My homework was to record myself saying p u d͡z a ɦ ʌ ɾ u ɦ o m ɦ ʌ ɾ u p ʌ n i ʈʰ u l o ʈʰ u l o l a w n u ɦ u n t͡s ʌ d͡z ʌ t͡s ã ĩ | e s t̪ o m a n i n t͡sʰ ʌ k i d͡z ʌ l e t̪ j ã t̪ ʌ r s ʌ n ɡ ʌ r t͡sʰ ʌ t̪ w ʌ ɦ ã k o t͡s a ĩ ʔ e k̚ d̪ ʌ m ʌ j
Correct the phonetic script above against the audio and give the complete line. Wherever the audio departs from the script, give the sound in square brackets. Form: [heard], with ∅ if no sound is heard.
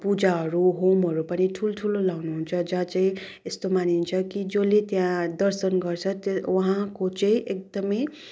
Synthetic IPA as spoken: p u d͡z a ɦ ʌ ɾ u ɦ o m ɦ ʌ ɾ u p ʌ n i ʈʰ u l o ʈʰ u l o l a w n u ɦ u n [t͡sʰ] ʌ d͡z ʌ t͡s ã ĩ | e s t̪ o m a n i n t͡sʰ ʌ k i d͡z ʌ l e t̪ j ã [d̪] ʌ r s ʌ n ɡ ʌ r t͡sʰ ʌ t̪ w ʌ ɦ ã k o t͡s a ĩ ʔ e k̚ d̪ ʌ m ʌ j